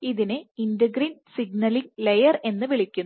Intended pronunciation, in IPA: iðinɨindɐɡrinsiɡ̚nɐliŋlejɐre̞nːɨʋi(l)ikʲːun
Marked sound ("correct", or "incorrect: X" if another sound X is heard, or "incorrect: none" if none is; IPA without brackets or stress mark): incorrect: ɭ